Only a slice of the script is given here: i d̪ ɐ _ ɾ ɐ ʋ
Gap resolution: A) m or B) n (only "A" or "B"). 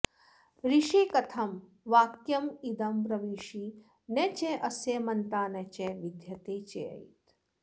A